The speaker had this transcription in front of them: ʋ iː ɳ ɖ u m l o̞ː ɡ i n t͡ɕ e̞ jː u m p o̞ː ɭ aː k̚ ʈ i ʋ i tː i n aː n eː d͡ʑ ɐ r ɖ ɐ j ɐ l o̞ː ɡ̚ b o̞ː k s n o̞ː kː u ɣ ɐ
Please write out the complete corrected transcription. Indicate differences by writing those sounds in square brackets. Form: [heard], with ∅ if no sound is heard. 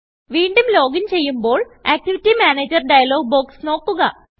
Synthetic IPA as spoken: ʋ iː ɳ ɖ u m l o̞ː ɡ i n t͡ɕ e̞ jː u m [b] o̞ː ɭ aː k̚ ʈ i ʋ i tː i [m] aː n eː d͡ʑ ɐ r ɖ ɐ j ɐ l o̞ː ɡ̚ b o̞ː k s n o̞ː kː u ɣ ɐ